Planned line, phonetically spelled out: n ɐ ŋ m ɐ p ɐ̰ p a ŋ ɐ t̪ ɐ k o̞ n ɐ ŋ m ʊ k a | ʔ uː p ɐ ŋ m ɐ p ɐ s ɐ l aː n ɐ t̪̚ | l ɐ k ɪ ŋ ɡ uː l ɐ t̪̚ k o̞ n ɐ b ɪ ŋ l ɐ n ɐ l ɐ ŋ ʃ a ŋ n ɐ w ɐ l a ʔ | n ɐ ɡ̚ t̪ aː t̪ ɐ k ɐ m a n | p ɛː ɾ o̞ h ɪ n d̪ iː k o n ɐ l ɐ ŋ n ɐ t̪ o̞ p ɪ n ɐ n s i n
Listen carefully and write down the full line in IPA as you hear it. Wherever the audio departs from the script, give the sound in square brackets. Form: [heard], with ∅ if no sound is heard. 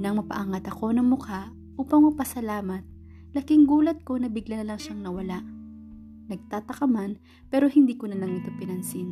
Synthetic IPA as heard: n ɐ ŋ m ɐ p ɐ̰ [ʔ] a ŋ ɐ t̪ ɐ k o̞ n ɐ ŋ m ʊ k a | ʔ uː p ɐ ŋ m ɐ p ɐ s ɐ l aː [m] ɐ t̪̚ | l ɐ k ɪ ŋ ɡ uː l ɐ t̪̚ k o̞ n ɐ b ɪ [ɡ] l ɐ n ɐ l ɐ ŋ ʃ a ŋ n ɐ w ɐ l a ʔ | n ɐ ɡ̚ t̪ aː t̪ ɐ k ɐ m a n | p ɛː ɾ o̞ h ɪ n d̪ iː k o n ɐ l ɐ ŋ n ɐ t̪ o̞ p ɪ n ɐ n s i n